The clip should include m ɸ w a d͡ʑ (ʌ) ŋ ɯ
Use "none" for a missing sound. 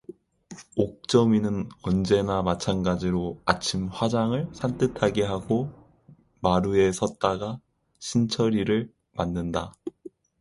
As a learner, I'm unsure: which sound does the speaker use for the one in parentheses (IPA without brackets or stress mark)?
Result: a